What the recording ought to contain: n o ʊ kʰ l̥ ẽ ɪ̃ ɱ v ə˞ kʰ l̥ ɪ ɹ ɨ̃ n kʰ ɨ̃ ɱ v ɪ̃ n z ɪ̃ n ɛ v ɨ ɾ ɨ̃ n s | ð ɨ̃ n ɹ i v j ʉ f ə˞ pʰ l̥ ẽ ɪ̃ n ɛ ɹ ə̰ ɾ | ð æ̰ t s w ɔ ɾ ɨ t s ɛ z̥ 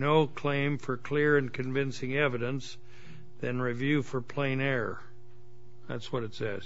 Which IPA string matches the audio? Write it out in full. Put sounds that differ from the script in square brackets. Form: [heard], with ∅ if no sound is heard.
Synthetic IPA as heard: n o ʊ kʰ l̥ ẽ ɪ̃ ɱ [f] ə˞ kʰ l̥ ɪ ɹ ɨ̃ n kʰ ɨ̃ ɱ v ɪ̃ n [s] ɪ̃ [ŋ] ɛ v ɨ ɾ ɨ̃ n s | ð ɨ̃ n ɹ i v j ʉ f ə˞ pʰ l̥ ẽ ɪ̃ n ɛ ɹ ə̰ [∅] | ð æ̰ t s w [ʌ] ɾ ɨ t s ɛ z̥